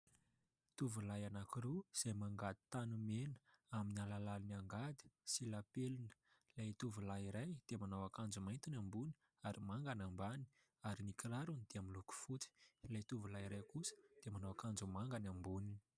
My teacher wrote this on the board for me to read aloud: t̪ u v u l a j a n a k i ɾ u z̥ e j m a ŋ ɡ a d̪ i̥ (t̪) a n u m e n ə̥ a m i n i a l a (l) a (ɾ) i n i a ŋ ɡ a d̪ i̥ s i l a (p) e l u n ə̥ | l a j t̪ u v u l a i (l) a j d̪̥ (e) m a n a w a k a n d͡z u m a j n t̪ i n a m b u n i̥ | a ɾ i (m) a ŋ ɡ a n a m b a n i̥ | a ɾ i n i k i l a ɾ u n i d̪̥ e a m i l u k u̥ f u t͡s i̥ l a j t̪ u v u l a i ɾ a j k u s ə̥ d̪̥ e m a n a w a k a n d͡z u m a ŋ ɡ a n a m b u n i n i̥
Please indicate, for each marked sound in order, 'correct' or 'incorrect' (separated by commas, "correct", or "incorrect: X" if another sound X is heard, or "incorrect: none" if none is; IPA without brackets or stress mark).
correct, correct, incorrect: l, correct, incorrect: ɾ, correct, correct